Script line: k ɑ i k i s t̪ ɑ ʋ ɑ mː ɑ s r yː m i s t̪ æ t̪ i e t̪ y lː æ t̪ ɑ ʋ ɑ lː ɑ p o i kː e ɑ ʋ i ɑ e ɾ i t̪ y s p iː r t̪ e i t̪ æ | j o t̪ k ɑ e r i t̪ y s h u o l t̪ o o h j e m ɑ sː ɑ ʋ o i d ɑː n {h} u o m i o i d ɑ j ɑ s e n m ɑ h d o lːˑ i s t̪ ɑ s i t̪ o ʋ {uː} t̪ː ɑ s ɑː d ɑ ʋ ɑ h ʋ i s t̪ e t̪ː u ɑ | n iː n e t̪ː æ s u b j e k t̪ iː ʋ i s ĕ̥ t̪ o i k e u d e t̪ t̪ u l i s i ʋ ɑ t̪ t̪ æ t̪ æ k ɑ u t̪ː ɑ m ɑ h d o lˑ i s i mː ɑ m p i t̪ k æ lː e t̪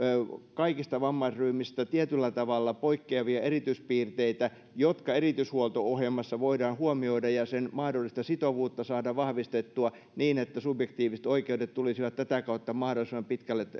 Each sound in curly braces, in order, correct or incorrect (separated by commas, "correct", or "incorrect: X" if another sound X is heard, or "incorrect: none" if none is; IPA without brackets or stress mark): correct, correct